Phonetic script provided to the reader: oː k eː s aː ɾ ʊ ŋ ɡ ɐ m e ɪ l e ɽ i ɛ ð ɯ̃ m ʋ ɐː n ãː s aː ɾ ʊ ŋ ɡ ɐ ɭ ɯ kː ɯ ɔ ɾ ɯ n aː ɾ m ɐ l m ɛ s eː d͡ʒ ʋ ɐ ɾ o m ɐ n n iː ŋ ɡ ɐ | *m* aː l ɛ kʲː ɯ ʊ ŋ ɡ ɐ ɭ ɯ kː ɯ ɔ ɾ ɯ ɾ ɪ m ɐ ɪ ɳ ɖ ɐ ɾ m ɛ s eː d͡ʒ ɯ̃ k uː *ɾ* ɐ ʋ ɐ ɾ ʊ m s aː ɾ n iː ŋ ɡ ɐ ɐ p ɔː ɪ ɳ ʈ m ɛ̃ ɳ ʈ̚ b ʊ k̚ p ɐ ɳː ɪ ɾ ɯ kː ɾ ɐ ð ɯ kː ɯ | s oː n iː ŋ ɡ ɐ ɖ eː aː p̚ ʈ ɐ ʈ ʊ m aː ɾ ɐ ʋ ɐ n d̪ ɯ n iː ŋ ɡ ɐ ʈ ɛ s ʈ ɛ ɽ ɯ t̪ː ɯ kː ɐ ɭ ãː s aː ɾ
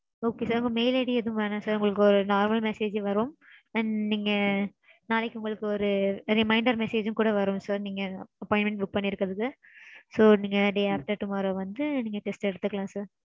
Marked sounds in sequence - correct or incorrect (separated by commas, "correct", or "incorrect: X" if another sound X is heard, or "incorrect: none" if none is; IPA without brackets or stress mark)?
incorrect: n, incorrect: ɽ